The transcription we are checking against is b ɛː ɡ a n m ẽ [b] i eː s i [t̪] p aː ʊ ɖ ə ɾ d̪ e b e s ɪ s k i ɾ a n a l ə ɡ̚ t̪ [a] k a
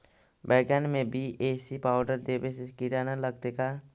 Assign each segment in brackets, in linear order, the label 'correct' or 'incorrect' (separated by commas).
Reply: correct, incorrect, incorrect